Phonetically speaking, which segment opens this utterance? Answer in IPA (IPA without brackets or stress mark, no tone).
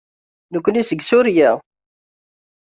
n